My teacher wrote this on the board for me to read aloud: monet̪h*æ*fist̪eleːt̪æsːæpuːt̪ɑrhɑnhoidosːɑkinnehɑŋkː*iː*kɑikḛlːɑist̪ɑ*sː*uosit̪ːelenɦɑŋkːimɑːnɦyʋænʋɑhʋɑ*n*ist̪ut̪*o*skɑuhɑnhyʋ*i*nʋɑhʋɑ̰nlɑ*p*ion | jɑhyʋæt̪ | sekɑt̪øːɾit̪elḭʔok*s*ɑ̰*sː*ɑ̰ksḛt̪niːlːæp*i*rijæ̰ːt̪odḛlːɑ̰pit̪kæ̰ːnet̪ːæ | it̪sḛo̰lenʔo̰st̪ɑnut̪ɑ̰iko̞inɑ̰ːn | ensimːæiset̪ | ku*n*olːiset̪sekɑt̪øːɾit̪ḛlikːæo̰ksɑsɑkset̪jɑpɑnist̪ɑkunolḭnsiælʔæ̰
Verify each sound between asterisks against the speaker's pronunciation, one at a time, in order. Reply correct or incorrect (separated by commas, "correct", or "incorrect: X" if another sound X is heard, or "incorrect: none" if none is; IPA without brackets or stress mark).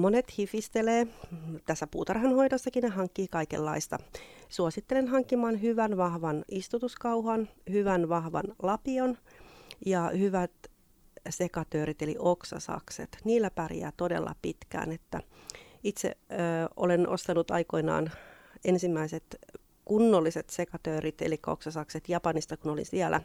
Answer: incorrect: i, correct, incorrect: s, correct, incorrect: u, incorrect: æ, correct, correct, incorrect: s, incorrect: æ, incorrect: nː